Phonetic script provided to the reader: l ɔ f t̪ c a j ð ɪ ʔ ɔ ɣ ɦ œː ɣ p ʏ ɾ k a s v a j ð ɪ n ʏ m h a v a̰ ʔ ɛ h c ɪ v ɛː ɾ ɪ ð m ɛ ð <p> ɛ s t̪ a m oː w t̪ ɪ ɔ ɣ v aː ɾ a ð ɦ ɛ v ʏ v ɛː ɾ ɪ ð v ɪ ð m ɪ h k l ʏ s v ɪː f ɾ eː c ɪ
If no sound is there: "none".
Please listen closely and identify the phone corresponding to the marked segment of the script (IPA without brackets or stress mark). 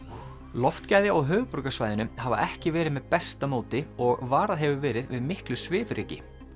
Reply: p